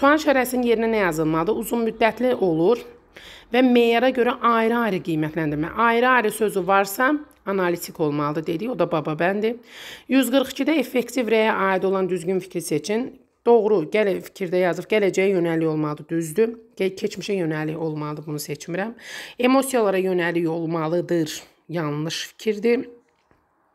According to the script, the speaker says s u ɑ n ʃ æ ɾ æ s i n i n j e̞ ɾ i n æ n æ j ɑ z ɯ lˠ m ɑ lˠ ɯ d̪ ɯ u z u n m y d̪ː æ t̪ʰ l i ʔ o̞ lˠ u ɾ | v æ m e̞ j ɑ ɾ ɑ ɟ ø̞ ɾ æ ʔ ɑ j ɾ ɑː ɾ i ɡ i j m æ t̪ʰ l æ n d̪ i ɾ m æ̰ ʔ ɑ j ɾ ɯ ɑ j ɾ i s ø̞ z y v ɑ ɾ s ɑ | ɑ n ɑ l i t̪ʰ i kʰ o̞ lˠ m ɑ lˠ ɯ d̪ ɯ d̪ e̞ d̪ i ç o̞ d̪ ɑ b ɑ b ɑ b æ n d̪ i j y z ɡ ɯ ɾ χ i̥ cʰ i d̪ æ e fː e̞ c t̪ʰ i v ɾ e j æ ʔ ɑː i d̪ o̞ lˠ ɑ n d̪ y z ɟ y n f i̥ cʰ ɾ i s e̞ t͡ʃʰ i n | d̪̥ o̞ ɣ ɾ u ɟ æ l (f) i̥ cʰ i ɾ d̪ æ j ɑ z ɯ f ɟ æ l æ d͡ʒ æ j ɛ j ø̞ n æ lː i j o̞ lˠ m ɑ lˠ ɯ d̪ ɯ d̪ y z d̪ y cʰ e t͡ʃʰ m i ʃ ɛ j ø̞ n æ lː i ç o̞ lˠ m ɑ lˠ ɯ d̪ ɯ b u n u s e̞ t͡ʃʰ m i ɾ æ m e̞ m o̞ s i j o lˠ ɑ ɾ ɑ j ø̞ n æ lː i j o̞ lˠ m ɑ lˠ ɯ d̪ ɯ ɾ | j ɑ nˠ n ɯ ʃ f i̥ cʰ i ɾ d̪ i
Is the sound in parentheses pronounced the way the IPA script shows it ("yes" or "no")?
yes